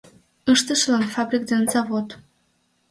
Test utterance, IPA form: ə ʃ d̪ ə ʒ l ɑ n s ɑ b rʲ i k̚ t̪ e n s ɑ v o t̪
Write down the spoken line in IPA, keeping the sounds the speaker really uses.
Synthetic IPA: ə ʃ t̪ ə ʃ l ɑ n f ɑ b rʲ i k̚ d̪ e n z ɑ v o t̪